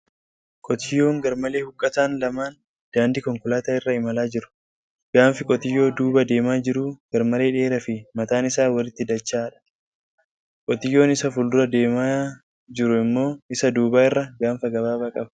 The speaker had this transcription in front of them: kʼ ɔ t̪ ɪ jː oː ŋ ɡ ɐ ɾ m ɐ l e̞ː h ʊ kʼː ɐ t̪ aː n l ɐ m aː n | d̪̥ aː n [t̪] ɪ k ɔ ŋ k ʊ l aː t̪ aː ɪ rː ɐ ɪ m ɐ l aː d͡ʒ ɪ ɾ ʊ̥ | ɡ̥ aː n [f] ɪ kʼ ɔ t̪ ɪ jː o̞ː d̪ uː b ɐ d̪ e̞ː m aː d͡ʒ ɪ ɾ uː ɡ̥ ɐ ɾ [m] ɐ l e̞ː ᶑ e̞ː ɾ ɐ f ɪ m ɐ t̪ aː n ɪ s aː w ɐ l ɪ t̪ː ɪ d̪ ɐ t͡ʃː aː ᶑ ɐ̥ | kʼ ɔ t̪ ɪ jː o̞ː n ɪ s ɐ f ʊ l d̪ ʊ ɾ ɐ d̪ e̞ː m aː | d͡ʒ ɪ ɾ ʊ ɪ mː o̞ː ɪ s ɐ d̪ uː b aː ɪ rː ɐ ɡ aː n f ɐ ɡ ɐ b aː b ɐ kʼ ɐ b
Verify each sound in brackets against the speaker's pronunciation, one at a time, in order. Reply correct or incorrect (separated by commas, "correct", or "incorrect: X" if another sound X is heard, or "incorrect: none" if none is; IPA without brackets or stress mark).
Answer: incorrect: d̪, correct, correct